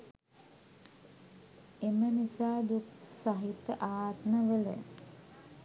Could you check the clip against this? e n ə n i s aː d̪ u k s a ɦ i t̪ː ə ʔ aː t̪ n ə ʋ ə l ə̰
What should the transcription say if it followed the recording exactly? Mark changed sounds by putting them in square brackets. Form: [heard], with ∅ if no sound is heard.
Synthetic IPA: e [m] ə n i s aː d̪ u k s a ɦ i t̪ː ə ʔ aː t̪ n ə ʋ ə l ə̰